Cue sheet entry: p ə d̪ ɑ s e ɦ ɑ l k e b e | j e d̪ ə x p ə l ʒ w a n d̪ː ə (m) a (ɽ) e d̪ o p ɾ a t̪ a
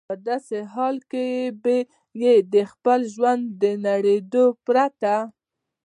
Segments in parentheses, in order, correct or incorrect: incorrect, correct

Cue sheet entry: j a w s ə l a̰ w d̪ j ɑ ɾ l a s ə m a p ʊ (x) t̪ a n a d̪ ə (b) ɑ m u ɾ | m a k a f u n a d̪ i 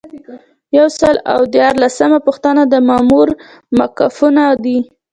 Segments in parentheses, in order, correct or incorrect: correct, incorrect

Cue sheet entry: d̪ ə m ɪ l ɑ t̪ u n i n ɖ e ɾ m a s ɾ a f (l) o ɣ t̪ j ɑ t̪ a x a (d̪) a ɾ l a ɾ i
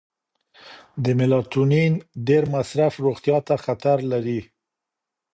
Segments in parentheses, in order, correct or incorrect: incorrect, incorrect

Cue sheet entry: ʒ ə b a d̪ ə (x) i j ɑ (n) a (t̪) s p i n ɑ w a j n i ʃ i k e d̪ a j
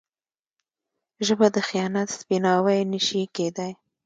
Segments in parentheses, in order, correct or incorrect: correct, correct, correct

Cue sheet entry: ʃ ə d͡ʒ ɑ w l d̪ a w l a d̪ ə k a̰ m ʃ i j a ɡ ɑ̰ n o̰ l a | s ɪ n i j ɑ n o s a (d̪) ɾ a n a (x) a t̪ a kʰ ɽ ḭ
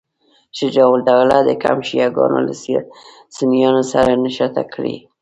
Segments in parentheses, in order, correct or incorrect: incorrect, incorrect

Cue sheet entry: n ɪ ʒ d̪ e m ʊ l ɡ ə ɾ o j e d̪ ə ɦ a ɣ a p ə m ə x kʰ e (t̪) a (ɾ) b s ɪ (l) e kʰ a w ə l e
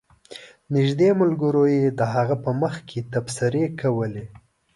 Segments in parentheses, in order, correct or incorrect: correct, incorrect, incorrect

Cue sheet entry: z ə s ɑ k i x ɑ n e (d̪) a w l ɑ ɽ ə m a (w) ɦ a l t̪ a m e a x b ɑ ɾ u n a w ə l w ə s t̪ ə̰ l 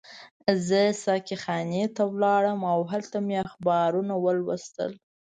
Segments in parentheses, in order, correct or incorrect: incorrect, correct

